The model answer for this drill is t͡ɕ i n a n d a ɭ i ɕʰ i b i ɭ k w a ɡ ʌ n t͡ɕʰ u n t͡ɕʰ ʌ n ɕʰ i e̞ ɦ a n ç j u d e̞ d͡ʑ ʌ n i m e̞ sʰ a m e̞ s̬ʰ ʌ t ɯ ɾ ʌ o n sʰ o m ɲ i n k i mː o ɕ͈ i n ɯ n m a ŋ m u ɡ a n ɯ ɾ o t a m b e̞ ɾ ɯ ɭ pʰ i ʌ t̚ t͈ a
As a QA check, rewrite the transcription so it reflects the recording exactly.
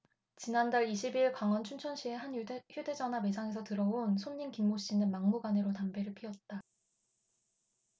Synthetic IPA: t͡ɕ i n a n d a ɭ i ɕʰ i b i ɭ k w a ŋ ʌ n t͡ɕʰ u n t͡ɕʰ ʌ n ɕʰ i e̞ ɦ a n ç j u d e̞ d͡ʑ ʌ n a m e̞ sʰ a ŋ e̞ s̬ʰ ʌ t ɯ ɾ ʌ o n sʰ o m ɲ i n k i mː o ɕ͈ i n ɯ n m a ŋ m u ɡ a n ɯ ɾ o t a m b e̞ ɾ ɯ ɭ pʰ i ʌ t̚ t͈ a